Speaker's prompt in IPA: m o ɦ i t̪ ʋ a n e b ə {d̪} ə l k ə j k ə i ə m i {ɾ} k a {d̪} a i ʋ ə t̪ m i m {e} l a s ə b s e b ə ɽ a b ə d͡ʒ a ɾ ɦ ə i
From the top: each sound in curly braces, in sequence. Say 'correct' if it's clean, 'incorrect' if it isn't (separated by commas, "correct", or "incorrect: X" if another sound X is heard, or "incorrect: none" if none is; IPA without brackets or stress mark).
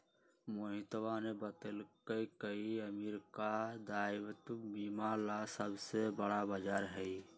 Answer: incorrect: t̪, correct, correct, incorrect: a